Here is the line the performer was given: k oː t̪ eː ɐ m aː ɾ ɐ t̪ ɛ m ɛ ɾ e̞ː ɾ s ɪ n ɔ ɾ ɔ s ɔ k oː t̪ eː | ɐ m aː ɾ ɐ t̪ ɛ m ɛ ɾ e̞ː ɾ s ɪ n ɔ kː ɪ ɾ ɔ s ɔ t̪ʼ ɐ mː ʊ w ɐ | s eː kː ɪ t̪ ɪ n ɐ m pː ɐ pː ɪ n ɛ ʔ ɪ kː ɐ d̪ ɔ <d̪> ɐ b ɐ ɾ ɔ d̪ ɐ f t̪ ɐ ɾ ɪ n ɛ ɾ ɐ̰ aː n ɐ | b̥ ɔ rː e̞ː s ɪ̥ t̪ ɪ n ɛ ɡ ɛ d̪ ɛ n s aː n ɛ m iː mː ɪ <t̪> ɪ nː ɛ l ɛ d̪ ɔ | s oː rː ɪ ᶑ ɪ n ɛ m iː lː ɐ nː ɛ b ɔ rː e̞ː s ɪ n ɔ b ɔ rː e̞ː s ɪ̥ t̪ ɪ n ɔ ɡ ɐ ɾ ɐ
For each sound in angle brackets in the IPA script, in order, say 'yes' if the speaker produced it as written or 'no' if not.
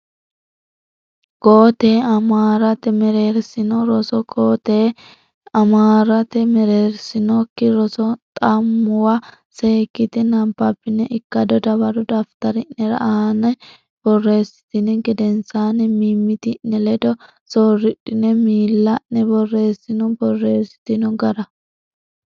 yes, yes

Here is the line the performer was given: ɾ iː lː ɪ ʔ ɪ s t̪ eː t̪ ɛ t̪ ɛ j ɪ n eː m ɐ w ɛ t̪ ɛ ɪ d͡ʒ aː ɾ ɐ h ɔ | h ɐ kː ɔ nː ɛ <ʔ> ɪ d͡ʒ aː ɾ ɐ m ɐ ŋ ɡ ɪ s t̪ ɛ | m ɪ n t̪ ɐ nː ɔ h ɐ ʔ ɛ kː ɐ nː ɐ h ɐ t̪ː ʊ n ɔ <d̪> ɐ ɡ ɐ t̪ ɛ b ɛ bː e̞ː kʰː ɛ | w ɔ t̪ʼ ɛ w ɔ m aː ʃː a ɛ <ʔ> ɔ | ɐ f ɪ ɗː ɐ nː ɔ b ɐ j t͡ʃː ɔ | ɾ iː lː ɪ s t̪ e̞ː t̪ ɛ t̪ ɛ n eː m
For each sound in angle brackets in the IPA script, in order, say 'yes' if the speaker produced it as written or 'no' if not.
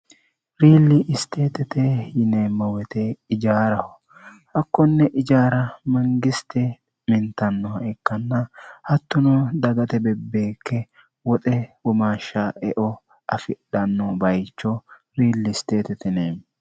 yes, yes, yes

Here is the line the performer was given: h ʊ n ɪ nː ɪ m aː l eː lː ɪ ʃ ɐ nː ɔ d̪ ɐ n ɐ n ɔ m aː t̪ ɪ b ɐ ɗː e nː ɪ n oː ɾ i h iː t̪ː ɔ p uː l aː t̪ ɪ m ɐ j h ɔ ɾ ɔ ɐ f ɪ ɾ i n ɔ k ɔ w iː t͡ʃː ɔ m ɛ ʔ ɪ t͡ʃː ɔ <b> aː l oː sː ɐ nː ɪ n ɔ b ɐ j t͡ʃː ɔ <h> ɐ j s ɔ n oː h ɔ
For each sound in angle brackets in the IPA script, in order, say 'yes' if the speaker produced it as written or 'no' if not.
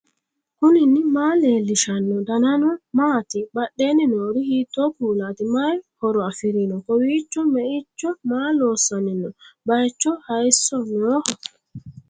no, yes

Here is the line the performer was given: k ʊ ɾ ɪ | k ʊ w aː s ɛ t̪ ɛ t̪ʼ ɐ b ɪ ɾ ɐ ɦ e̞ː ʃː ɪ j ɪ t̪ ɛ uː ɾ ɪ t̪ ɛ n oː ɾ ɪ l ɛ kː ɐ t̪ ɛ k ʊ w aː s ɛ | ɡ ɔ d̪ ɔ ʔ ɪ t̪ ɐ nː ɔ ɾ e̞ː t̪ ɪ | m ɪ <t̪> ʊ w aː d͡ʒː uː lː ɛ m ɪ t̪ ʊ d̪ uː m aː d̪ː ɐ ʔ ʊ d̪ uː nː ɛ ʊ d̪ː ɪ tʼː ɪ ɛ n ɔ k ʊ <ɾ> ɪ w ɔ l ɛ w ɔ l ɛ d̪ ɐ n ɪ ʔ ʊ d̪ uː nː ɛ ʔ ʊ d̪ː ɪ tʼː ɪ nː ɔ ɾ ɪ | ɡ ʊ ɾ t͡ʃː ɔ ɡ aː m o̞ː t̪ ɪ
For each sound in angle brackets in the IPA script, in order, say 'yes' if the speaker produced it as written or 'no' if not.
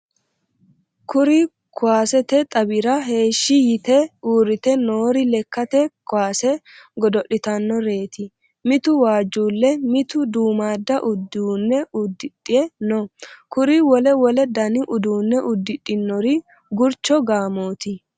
yes, yes

